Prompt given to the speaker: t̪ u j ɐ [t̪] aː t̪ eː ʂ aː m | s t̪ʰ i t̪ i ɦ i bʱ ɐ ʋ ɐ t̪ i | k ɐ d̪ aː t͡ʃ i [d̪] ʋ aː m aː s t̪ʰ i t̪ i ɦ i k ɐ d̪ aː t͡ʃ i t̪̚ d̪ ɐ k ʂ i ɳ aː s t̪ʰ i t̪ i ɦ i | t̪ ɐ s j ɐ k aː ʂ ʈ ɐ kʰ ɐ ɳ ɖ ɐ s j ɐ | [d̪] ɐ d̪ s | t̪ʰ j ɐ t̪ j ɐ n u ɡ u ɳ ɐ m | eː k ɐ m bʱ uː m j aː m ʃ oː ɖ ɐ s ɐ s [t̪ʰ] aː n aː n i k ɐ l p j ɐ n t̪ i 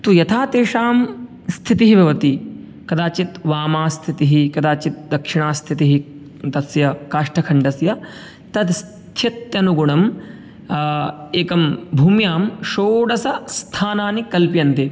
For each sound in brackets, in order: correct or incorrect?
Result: incorrect: t̪ʰ, incorrect: t̪, incorrect: t̪, correct

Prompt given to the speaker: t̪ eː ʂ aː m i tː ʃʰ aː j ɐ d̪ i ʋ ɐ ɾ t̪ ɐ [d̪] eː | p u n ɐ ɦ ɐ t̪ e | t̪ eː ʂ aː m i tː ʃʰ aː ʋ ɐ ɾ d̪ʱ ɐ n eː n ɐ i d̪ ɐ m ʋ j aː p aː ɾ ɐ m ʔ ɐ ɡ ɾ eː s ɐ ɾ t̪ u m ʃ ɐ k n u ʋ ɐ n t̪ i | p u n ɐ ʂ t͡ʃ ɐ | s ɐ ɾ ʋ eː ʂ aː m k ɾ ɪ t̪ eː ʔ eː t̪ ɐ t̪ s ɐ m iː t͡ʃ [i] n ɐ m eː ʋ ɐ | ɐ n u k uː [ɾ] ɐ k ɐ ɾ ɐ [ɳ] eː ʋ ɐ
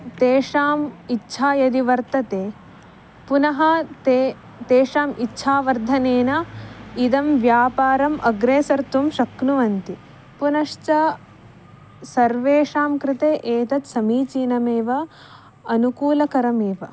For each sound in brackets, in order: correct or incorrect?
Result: incorrect: t̪, incorrect: iː, incorrect: l, incorrect: m

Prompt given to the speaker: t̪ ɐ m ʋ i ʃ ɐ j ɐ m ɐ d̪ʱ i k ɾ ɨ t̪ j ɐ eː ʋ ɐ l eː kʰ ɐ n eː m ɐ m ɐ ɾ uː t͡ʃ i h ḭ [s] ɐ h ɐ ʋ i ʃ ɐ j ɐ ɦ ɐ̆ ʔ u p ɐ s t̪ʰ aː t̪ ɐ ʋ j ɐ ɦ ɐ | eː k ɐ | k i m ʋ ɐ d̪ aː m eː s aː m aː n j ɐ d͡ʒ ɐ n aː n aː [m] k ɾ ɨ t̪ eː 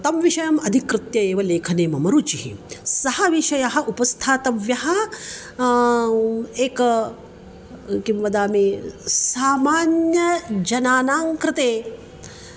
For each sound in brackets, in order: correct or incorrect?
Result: correct, incorrect: ŋ

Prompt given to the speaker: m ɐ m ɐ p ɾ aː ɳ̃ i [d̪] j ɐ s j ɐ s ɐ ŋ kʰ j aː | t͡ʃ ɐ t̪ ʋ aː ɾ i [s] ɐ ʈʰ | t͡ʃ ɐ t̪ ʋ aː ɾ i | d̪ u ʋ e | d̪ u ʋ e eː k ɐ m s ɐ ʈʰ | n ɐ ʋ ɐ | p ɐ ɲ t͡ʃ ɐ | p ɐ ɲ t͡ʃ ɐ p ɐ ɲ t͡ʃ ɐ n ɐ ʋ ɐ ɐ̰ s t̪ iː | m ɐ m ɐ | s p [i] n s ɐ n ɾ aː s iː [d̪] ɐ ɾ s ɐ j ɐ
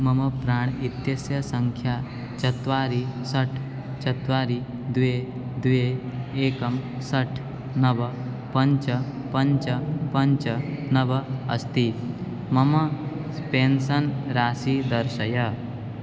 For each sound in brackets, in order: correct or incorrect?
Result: incorrect: t̪, correct, incorrect: e, correct

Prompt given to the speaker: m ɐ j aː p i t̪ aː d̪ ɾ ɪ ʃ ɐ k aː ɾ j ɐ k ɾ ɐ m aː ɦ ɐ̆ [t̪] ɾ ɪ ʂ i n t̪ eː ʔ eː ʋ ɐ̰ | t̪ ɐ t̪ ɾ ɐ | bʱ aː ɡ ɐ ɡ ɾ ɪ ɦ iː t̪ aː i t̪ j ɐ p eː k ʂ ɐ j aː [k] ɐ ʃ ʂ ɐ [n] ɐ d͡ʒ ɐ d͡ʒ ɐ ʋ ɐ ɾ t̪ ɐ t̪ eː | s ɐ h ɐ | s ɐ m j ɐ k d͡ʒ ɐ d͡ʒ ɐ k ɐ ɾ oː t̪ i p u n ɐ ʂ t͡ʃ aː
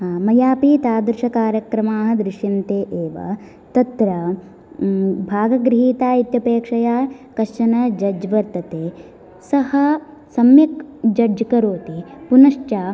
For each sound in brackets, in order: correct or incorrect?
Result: incorrect: d̪, correct, correct

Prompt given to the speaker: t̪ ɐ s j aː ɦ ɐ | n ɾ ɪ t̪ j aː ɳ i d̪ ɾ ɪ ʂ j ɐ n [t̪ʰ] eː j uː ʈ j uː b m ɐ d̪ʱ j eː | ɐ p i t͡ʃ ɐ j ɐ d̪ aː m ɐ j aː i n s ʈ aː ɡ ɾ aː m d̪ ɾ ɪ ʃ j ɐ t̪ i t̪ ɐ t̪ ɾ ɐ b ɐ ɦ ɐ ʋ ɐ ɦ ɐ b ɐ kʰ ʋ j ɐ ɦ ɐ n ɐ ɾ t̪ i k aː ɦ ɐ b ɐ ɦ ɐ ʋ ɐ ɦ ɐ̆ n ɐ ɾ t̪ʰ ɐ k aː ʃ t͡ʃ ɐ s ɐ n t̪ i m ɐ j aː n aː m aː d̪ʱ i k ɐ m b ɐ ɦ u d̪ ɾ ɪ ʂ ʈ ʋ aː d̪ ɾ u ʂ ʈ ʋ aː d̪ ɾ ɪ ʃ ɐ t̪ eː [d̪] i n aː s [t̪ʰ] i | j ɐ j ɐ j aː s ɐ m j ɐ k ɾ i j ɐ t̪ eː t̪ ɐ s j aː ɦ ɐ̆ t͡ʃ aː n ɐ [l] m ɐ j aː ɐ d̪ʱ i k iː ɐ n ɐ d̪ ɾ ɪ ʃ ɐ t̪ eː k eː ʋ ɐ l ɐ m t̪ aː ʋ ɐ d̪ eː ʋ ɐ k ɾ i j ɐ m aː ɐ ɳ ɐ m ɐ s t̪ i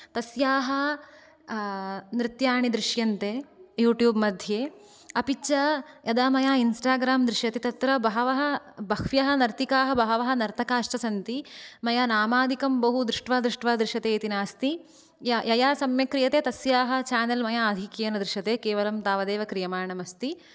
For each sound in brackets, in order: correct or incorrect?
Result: incorrect: t̪, incorrect: t̪, incorrect: t̪, correct

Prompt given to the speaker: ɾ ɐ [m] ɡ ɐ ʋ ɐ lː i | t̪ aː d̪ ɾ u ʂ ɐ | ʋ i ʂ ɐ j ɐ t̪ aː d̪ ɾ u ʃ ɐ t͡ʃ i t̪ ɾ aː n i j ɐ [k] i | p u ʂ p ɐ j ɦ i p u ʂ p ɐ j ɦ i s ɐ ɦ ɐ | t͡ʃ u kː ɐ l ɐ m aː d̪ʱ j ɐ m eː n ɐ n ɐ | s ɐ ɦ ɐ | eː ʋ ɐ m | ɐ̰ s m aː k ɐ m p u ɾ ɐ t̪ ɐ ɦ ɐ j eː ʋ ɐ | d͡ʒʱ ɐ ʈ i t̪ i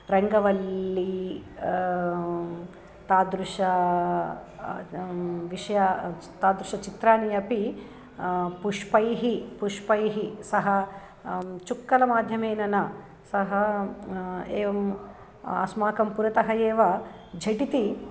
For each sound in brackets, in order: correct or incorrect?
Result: incorrect: ŋ, incorrect: p

